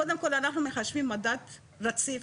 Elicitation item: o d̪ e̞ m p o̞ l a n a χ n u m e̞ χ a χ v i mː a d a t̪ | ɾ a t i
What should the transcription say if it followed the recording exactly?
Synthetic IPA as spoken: o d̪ e̞ m k o̞ l a n a χ n u m e̞ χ a ʃ v i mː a d a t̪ | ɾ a t͡s i